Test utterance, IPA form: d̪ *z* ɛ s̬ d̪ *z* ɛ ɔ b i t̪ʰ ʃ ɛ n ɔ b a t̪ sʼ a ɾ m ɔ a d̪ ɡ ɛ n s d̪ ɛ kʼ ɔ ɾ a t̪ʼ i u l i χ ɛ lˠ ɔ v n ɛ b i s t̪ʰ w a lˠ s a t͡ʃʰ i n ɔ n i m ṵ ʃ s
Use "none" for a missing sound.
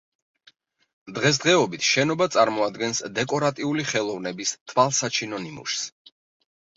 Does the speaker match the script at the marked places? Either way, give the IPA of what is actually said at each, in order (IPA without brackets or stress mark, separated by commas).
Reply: ʁ, ʁ